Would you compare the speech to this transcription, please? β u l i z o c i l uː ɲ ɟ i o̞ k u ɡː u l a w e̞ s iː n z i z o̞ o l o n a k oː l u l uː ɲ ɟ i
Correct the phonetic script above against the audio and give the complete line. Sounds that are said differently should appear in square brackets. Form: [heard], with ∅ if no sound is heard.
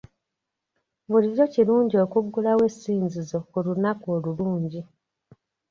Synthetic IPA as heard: β u l i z o c i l uː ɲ ɟ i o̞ k u ɡː u l a w e̞ s iː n z i z o̞ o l [u] n a k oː l u l uː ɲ ɟ i